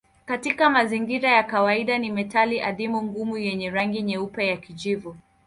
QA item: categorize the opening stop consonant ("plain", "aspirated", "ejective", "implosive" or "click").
plain